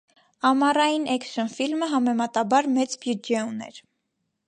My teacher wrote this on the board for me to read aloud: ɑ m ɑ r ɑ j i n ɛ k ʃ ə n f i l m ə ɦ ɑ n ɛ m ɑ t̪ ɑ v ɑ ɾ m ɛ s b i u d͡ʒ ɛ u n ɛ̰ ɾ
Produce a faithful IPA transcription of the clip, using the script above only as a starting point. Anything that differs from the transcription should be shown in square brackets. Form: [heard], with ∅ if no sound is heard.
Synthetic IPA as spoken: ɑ m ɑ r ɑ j i n ɛ k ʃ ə n f i l m ə ɦ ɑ [m] ɛ m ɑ t̪ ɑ [b] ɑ ɾ m ɛ [t͡s] b [j] u d͡ʒ ɛ u n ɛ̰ ɾ